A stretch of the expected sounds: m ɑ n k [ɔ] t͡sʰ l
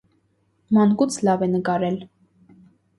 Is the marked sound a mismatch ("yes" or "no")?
yes